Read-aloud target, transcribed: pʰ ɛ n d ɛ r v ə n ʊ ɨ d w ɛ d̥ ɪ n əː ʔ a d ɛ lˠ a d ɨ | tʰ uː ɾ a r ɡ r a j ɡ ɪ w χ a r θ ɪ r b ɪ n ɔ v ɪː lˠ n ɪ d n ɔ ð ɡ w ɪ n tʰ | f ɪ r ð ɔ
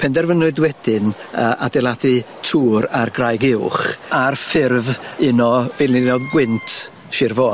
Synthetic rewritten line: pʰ ɛ n d ɛ r v ə n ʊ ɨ d w ɛ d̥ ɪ n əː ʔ a d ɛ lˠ a d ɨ | tʰ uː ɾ a r ɡ r a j ɡ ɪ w χ a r f ɪ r v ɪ n ɔ v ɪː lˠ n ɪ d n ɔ ð ɡ w ɪ n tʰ | ʃ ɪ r v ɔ